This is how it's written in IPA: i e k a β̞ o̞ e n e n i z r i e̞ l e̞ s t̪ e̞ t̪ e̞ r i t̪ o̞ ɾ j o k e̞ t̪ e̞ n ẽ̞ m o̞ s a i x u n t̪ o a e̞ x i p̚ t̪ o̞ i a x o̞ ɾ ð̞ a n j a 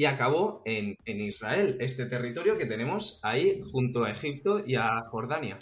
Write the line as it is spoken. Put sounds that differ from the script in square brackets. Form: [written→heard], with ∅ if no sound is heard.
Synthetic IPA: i [e→a] k a β̞ o̞ e n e n i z r [i→a] e̞ l e̞ s t̪ e̞ t̪ e̞ r i t̪ o̞ ɾ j o k e̞ t̪ e̞ n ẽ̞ m o̞ s a i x u n t̪ o a e̞ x i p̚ t̪ o̞ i a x o̞ ɾ ð̞ a n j a